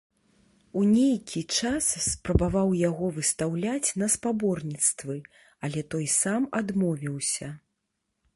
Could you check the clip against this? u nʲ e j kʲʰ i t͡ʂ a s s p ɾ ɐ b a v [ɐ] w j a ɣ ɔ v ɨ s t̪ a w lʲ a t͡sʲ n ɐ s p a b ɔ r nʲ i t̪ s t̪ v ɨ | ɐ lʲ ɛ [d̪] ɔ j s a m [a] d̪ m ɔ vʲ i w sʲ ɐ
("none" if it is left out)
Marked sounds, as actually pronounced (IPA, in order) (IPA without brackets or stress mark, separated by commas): a, t̪, a